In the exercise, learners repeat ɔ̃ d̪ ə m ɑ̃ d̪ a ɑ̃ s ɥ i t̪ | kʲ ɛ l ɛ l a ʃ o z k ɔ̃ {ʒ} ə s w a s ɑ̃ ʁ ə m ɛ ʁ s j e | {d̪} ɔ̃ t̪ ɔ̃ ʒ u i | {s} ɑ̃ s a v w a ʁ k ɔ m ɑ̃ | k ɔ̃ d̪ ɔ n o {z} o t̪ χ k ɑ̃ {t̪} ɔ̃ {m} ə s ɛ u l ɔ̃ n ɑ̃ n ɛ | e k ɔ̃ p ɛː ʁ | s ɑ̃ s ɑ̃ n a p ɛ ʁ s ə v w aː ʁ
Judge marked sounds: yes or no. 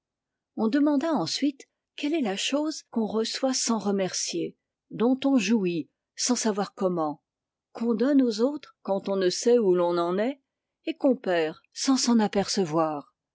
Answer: no, yes, yes, yes, yes, no

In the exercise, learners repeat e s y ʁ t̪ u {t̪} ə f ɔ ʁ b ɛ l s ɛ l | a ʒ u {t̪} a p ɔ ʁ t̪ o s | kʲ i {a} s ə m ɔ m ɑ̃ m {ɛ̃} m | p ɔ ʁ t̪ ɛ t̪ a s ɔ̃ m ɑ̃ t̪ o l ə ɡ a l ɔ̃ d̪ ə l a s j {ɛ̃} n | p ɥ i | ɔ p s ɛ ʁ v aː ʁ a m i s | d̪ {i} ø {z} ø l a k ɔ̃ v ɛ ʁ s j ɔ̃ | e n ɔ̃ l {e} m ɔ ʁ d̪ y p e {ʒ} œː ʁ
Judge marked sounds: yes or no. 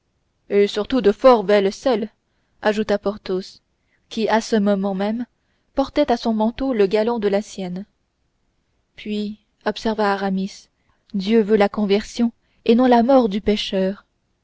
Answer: no, yes, yes, no, no, no, no, no, no

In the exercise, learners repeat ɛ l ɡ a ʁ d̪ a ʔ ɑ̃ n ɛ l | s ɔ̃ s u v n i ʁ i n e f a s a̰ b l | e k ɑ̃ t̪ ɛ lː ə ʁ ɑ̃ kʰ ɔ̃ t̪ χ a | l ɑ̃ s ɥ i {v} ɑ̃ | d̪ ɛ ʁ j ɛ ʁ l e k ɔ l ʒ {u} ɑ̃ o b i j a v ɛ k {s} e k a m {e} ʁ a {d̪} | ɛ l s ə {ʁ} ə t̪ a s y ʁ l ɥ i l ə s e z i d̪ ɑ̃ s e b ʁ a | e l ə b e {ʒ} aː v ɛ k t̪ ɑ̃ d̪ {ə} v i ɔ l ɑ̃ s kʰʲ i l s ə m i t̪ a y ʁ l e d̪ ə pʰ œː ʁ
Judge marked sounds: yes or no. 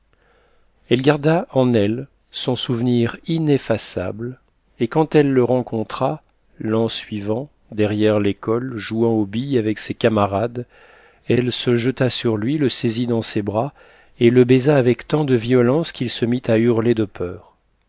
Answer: yes, yes, yes, no, yes, no, no, yes

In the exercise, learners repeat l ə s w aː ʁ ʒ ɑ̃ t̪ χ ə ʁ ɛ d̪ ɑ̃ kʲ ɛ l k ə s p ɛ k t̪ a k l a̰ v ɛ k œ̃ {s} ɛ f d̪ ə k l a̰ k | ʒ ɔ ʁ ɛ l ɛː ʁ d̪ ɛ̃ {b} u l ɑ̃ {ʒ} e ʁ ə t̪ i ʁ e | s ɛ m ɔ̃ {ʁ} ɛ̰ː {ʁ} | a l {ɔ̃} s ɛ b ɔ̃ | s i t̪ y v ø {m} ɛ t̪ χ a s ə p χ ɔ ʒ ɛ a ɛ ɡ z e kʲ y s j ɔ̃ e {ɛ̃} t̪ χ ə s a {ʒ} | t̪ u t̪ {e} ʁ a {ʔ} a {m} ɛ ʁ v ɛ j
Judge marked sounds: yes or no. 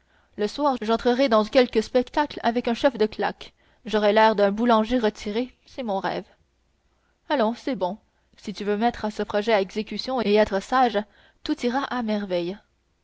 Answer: no, yes, yes, yes, no, yes, yes, no, yes, no, yes, yes

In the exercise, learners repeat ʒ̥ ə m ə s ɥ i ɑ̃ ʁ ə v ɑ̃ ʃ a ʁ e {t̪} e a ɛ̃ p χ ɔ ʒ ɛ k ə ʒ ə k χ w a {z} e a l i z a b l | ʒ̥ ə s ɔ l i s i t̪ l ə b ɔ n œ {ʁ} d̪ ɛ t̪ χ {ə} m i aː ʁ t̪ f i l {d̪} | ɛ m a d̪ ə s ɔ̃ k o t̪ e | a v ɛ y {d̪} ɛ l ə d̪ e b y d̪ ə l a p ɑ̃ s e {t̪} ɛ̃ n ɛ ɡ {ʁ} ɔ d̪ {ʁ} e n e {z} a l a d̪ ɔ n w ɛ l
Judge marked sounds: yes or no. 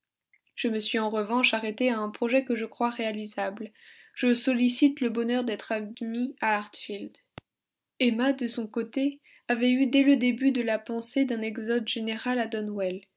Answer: yes, no, yes, no, yes, yes, no, no, no, no

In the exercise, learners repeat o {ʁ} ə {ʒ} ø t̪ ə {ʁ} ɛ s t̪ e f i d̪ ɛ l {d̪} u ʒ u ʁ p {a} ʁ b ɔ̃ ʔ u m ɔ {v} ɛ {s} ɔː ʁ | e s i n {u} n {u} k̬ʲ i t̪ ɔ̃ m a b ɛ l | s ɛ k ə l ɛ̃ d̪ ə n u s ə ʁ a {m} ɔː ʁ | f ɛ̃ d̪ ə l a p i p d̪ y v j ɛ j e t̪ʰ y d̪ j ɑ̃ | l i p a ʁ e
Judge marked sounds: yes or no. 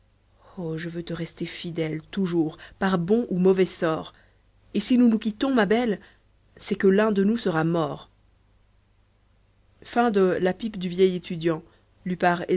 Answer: no, no, yes, no, yes, yes, yes, yes, yes, yes

